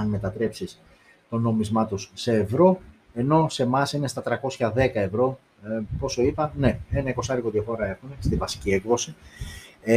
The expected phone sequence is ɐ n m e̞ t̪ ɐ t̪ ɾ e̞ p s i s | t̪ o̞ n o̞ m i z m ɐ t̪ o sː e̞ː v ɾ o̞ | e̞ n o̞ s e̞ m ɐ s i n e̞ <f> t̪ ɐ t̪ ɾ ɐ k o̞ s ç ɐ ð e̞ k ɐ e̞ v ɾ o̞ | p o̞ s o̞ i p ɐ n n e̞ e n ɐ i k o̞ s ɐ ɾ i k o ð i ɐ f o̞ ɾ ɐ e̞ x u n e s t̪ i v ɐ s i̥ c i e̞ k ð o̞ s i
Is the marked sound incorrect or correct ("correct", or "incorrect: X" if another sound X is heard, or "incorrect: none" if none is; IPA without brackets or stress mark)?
incorrect: s